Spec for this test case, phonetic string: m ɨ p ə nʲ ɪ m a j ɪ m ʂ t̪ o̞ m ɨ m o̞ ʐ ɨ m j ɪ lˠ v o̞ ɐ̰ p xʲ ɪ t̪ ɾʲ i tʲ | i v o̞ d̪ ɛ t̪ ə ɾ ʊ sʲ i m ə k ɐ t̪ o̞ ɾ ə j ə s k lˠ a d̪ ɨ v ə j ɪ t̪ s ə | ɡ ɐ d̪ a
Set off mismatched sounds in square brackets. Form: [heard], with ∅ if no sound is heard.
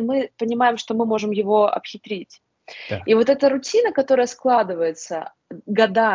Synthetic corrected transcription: m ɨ p ə nʲ ɪ m a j ɪ m ʂ t̪ o̞ m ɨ m o̞ ʐ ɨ m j ɪ [∅] v o̞ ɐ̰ p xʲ ɪ t̪ ɾʲ i tʲ | i v o̞ [t̪] ɛ t̪ ə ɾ ʊ [tʲ] i [n] ə k ɐ t̪ o̞ ɾ ə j ə s k lˠ a d̪ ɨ v ə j ɪ t̪ s ə | ɡ ɐ d̪ a